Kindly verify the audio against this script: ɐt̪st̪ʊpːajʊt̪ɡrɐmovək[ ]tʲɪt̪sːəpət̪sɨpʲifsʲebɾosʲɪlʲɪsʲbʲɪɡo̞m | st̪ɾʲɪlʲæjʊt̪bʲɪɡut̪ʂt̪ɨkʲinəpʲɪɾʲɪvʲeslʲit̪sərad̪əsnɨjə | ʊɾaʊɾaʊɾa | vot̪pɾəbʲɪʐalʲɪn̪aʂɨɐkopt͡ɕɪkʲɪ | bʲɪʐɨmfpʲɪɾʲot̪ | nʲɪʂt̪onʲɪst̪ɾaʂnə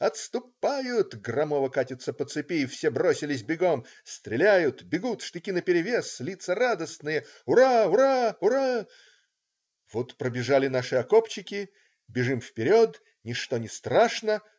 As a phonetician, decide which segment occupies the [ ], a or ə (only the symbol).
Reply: a